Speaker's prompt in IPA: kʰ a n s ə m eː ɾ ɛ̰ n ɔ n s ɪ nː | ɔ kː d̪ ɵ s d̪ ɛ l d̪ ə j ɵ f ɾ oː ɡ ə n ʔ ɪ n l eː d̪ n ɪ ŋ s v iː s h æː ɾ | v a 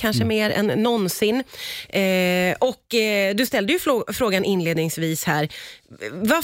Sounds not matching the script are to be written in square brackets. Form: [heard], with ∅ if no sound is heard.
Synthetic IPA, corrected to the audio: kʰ a n [ʂ] ə m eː ɾ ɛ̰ [nː] ɔ n s ɪ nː | ɔ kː d̪ ɵ s [t̪] ɛ l d̪ ə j ɵ f ɾ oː ɡ [a] n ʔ ɪ n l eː d̪ n ɪ ŋ s v iː s h æː ɾ | v a